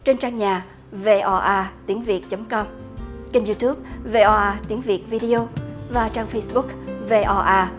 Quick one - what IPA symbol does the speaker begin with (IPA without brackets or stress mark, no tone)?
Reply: t͡ɕ